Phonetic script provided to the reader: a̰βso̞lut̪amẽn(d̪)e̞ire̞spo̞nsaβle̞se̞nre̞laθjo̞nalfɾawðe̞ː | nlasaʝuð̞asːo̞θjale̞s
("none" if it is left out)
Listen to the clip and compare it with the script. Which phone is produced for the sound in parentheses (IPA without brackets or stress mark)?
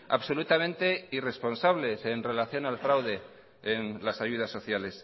t̪